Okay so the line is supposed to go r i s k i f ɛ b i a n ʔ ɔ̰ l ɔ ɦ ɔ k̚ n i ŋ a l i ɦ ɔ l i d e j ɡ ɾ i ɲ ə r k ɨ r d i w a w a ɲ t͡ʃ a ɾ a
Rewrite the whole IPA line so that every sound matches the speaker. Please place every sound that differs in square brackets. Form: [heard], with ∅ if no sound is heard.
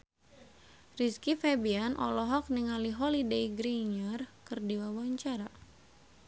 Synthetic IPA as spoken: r i s k i f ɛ b i a n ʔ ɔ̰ l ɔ ɦ ɔ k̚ n i ŋ a l i ɦ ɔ l i d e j ɡ ɾ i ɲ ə r k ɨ r d i w a w a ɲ t͡ʃ a ɾ a